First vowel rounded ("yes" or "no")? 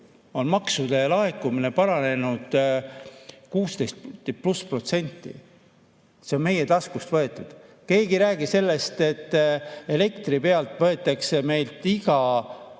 yes